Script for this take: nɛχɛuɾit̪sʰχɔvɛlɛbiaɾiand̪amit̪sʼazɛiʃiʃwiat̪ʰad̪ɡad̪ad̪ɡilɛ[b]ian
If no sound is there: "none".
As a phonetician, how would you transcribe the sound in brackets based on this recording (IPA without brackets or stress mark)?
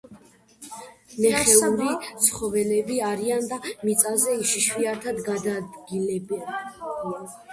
b